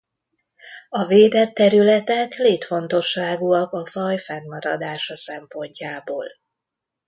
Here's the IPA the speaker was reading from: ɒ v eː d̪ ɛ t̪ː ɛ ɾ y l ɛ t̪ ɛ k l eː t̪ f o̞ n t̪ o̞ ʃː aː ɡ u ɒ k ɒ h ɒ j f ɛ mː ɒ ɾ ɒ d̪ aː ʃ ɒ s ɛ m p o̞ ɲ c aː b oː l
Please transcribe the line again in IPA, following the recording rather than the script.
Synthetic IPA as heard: ɒ v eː d̪ ɛ t̪ː ɛ ɾ y l ɛ t̪ ɛ k l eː t̪ f o̞ n t̪ o̞ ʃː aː ɡ u ɒ k ɒ f ɒ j f ɛ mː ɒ ɾ ɒ d̪ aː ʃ ɒ s ɛ m p o̞ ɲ c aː b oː l